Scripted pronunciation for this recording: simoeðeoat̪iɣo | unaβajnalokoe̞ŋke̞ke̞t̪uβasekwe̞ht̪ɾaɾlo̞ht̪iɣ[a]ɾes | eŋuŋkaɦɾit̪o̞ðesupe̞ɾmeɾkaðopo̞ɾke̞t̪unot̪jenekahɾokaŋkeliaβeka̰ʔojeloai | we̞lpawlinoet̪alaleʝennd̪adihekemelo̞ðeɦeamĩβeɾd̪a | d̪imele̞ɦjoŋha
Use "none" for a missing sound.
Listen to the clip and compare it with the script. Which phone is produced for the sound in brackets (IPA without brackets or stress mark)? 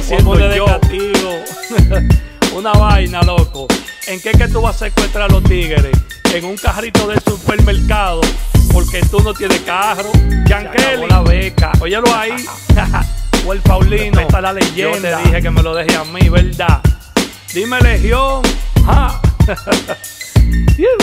e